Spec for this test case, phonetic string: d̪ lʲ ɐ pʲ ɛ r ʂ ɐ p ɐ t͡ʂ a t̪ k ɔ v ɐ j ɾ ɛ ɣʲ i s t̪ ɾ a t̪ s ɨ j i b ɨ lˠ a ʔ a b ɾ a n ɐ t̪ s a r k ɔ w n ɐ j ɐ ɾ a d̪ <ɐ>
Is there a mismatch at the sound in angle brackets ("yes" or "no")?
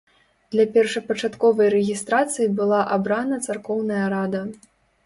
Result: no